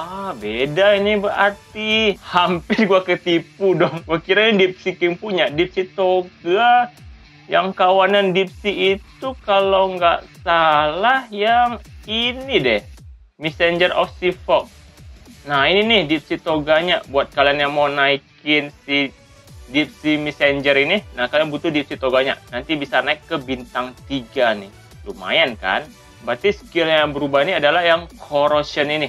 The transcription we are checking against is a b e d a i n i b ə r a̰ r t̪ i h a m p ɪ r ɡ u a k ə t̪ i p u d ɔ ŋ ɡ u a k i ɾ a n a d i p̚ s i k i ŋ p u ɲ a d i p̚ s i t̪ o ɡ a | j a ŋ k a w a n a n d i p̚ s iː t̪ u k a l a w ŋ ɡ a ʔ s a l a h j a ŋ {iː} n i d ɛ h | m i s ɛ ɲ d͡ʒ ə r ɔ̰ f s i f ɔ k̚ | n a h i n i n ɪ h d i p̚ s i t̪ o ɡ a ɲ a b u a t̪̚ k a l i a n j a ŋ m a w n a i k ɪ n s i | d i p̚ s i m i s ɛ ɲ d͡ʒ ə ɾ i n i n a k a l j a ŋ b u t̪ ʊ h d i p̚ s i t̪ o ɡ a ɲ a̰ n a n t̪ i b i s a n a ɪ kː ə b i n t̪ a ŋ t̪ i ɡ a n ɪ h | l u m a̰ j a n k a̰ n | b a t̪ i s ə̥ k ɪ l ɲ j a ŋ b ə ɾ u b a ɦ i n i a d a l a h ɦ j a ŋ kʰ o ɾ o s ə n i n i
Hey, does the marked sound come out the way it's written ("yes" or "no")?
no